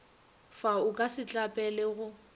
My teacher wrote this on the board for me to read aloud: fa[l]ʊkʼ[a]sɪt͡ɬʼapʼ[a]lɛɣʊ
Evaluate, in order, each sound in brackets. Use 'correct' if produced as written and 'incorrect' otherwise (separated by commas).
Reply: incorrect, correct, incorrect